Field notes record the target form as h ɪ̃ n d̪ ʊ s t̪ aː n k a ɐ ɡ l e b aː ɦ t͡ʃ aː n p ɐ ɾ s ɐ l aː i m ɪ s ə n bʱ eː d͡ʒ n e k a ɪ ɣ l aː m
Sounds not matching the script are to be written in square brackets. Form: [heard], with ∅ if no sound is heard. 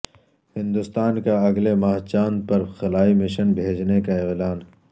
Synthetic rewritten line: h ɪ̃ n d̪ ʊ s t̪ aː n k a ɐ ɡ l e [m] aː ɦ t͡ʃ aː n p ɐ ɾ [x] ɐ l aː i m ɪ [ʃ] ə n bʱ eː d͡ʒ n e k a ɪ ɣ l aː [n]